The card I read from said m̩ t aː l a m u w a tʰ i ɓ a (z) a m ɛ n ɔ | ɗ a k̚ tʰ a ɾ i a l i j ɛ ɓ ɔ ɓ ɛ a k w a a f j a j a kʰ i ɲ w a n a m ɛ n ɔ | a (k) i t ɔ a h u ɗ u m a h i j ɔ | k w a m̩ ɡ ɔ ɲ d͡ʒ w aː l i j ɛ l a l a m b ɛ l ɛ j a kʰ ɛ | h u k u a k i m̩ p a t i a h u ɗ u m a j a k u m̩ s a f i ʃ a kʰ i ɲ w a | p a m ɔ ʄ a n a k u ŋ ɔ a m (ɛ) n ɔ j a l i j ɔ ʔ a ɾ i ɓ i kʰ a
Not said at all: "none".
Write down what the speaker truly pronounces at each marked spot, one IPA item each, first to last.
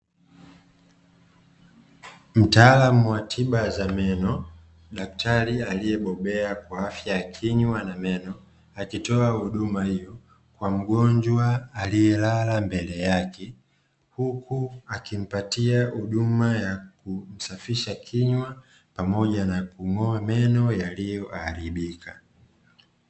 z, k, ɛ

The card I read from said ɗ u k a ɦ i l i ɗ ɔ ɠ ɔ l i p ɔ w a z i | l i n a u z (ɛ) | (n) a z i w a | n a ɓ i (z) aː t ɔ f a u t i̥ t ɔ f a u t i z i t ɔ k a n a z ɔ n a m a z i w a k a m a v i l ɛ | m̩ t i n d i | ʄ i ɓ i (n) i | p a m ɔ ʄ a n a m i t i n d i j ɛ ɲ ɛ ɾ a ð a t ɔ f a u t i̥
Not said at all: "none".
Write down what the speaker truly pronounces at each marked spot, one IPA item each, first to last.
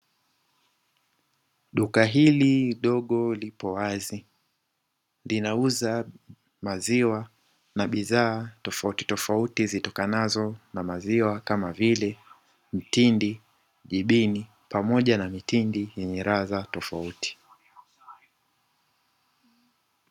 a, m, ð, n

